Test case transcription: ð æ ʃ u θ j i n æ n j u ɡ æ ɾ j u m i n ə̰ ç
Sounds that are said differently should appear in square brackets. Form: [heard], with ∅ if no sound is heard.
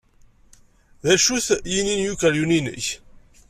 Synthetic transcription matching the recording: ð æ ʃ u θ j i n [i] n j u [k] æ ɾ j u [n] i n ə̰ ç